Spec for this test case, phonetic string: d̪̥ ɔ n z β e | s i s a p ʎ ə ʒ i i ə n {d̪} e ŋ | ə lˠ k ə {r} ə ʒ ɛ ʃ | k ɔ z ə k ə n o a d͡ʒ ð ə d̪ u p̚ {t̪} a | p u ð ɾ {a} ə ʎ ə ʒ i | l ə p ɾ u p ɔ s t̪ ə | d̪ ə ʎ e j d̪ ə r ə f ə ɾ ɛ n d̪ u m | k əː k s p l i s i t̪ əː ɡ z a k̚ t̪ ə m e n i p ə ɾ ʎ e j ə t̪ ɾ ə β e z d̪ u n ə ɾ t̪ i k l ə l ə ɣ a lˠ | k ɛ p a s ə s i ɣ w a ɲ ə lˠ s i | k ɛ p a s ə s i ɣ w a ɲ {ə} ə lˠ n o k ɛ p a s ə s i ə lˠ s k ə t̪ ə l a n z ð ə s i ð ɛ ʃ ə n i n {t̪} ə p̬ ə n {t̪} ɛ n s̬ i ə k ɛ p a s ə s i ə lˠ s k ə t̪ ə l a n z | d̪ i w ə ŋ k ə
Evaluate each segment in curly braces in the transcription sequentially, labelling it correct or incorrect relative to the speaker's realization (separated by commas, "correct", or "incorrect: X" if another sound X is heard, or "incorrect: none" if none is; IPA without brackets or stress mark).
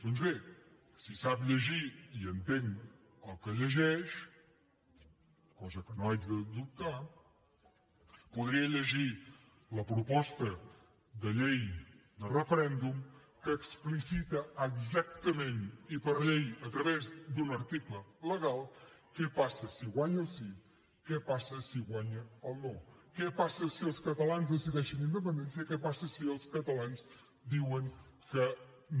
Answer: incorrect: t̪, incorrect: ʎ, correct, incorrect: i, correct, incorrect: d̪, incorrect: d̪